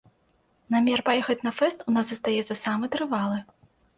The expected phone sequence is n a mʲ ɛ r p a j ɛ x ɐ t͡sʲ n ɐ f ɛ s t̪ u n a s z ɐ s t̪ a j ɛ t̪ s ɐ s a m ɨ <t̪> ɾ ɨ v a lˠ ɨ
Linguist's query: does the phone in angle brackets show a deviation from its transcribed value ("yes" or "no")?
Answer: no